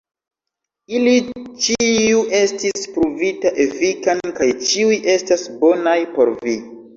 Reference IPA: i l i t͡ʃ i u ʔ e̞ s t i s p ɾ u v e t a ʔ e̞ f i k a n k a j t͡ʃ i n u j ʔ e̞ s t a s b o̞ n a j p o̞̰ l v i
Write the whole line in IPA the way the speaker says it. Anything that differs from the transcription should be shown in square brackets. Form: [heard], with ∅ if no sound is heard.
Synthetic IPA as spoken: i l i t͡ʃ i u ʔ e̞ s t i s p ɾ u v [i] t a ʔ e̞ f i k a n k a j t͡ʃ i [∅] u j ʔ e̞ s t a s b o̞ n a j p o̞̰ [ɾ] v i